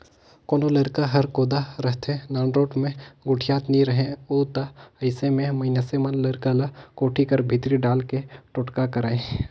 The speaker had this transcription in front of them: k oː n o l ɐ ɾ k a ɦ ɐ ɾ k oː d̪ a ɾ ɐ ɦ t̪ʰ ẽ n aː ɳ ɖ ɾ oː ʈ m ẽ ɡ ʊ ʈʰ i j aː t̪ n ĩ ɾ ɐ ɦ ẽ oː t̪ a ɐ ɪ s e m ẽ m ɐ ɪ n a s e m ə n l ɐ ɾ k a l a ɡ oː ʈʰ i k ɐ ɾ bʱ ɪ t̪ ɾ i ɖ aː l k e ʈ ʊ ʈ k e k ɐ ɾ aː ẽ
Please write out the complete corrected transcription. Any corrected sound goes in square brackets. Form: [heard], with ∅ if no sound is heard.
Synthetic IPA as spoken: k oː n o l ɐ ɾ k a ɦ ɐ ɾ k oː d̪ a ɾ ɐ ɦ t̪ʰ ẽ n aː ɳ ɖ ɾ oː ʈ m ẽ ɡ ʊ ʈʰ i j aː t̪ n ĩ ɾ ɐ ɦ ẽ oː t̪ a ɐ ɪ s e m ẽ m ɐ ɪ n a s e m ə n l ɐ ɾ k a l a [k] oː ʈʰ i k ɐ ɾ bʱ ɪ t̪ ɾ i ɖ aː l k e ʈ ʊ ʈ k [a] k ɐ ɾ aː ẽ